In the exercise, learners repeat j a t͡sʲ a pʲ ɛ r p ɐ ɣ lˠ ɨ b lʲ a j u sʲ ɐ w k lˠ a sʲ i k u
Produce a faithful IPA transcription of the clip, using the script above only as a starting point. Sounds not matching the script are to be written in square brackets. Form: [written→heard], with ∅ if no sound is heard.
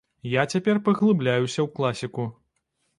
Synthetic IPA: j a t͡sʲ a pʲ ɛ r p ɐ ɣ lˠ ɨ b lʲ a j u sʲ ɐ w k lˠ a sʲ i k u